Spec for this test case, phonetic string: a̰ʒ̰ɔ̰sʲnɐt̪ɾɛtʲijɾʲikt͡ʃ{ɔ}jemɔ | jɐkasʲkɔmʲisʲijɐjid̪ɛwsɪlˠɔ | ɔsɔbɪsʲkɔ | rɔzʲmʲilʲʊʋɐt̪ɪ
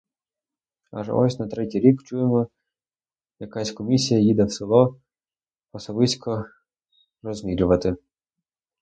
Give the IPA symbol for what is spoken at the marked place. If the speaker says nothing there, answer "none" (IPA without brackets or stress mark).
u